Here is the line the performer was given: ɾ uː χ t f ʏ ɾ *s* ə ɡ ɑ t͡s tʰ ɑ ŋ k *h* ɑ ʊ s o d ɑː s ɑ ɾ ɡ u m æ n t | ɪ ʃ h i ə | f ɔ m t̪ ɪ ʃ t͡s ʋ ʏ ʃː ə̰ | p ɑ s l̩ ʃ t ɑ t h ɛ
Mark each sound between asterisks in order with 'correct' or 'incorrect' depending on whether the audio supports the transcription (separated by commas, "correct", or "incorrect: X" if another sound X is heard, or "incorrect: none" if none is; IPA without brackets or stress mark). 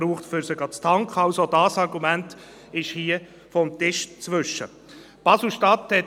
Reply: correct, incorrect: χ